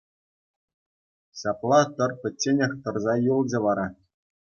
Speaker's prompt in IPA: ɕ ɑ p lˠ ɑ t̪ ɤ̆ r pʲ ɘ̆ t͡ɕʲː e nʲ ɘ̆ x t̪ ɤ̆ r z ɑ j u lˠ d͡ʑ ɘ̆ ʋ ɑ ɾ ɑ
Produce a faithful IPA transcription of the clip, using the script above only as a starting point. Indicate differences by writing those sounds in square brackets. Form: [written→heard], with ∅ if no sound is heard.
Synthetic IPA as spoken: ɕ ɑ p lˠ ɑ t̪ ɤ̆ r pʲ ɘ̆ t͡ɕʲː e nʲ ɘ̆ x t̪ ɤ̆ r z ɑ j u lˠ d͡ʑ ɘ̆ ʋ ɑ ɾ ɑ